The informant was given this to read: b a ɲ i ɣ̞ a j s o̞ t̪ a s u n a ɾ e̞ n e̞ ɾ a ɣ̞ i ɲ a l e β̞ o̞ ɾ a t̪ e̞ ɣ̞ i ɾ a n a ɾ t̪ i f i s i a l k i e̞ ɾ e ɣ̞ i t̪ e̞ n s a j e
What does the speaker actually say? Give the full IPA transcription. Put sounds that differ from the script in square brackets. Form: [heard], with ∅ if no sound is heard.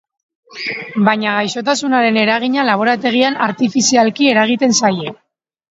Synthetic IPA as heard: b a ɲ [a] ɣ̞ a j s o̞ t̪ a s u n a ɾ e̞ n e̞ ɾ a ɣ̞ i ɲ a l [a] β̞ o̞ ɾ a t̪ e̞ ɣ̞ i [∅] a n a ɾ t̪ i f i s i a l k i e̞ ɾ [a] ɣ̞ i t̪ e̞ n s a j e